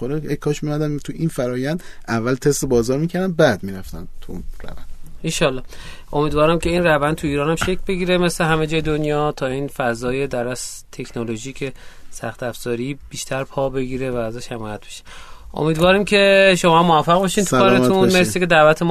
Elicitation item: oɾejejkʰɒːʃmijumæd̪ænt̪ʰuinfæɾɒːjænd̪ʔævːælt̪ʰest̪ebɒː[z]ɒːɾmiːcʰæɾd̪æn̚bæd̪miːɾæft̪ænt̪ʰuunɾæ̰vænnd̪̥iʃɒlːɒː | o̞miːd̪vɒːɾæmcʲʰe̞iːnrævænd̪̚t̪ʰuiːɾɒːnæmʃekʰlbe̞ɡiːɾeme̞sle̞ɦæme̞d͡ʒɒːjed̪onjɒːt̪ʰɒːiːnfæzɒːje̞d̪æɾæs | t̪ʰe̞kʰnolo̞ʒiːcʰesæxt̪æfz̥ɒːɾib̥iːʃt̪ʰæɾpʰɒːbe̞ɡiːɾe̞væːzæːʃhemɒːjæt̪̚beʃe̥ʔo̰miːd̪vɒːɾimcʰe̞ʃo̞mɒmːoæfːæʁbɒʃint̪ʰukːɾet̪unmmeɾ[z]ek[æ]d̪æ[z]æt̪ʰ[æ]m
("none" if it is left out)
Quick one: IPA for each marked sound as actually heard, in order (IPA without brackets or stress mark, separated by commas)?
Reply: z, s, e, v, e